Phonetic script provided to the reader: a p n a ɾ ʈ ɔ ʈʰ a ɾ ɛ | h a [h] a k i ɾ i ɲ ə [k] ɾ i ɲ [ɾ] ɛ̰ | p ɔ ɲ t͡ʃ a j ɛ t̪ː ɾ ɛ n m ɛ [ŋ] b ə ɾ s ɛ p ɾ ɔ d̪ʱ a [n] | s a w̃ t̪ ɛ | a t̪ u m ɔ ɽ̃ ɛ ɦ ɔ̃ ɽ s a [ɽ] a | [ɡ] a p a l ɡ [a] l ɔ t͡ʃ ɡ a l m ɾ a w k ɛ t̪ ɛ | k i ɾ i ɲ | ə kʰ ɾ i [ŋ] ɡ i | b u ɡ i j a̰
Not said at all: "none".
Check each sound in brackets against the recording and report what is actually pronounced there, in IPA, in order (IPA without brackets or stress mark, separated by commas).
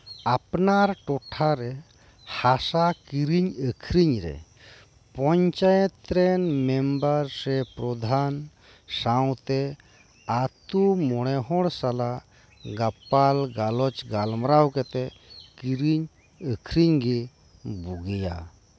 s, kʰ, ɾ, m, n, l, ɡ, a, ɲ